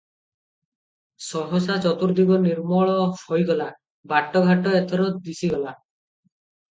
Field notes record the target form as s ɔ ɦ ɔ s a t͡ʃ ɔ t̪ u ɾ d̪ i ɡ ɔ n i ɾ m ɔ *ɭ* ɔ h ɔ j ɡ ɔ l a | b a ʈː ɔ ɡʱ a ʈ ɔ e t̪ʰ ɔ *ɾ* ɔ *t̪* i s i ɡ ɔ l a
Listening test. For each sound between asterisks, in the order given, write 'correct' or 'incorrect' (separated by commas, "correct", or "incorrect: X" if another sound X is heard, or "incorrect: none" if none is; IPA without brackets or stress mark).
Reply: correct, correct, incorrect: d̪